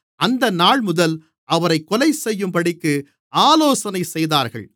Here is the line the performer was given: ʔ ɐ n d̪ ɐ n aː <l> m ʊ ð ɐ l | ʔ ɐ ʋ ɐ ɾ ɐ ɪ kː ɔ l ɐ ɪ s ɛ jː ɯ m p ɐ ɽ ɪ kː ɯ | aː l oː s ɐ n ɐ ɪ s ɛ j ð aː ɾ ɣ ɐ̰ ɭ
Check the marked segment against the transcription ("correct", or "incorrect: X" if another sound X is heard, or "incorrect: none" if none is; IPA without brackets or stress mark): incorrect: ɭ